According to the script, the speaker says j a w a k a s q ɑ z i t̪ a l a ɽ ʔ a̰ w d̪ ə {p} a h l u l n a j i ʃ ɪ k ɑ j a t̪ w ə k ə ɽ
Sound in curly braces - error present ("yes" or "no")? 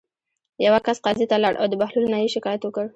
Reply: yes